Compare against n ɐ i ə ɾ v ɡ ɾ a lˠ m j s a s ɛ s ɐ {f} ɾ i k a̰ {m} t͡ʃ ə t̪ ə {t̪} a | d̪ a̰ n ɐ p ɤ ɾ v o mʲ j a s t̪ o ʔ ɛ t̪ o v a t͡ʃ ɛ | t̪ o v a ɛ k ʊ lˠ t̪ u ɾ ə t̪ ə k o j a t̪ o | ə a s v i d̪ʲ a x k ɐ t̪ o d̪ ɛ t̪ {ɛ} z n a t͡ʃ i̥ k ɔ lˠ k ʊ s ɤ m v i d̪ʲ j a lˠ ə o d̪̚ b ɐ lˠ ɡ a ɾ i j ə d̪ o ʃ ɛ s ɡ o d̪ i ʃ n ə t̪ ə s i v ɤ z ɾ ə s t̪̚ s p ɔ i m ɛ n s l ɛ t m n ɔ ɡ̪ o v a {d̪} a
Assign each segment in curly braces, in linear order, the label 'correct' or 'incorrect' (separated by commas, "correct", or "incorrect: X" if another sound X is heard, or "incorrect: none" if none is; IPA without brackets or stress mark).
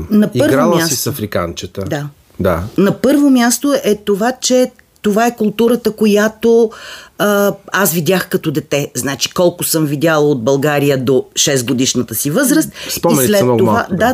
correct, incorrect: n, incorrect: d̪, correct, correct